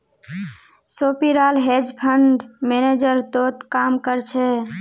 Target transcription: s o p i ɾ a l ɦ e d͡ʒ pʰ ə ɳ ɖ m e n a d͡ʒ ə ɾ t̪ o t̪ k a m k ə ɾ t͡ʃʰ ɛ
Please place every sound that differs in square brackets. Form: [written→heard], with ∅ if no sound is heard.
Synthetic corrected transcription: s o p i ɾ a l ɦ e d͡ʒ pʰ ə ɳ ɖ m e n [a→e] d͡ʒ ə ɾ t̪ o t̪ k a m k ə ɾ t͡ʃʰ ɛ